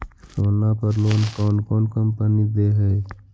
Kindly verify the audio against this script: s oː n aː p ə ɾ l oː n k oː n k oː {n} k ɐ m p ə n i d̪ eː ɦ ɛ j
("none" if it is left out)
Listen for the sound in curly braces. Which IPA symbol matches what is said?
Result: n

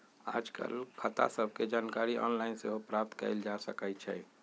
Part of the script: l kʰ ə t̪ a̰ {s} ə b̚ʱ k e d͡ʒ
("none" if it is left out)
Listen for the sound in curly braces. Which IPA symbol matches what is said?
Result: s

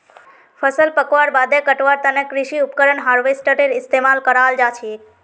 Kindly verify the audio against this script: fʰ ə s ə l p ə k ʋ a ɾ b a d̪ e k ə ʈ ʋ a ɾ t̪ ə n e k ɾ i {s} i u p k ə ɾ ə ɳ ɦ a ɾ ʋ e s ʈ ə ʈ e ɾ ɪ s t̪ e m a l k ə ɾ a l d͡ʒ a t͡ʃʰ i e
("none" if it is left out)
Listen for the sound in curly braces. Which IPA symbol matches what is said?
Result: ʃ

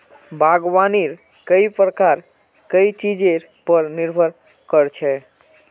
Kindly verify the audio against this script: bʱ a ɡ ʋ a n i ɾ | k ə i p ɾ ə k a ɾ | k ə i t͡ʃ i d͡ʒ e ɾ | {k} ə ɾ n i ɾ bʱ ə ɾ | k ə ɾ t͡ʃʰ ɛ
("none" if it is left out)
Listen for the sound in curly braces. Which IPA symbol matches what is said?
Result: p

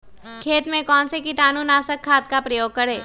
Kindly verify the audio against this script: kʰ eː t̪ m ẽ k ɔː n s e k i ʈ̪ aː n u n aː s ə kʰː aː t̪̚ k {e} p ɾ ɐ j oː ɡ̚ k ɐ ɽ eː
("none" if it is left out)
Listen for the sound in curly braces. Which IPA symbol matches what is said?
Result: a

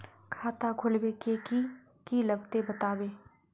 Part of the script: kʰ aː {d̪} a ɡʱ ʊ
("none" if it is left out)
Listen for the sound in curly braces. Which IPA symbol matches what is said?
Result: t̪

